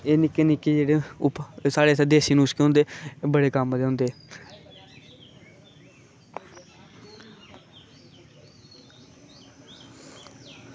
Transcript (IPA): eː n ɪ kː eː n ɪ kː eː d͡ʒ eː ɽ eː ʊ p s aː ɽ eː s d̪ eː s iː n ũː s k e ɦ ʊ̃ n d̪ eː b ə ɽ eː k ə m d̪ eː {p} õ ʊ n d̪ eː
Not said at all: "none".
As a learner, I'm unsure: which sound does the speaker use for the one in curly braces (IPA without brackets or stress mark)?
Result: none